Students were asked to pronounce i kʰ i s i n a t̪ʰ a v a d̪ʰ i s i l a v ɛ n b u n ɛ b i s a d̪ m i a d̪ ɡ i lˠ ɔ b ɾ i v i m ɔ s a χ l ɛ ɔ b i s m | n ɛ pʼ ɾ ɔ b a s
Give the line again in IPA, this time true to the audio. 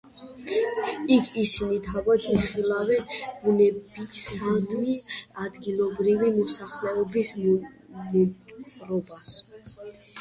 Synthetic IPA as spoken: i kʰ i s i n i t̪ʰ a v a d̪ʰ i χ i l a v ɛ n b u n ɛ b i s a d̪ m i a d̪ ɡ i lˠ ɔ b ɾ i v i m ɔ s a χ l ɛ ɔ b i s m | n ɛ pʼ ɾ ɔ b a s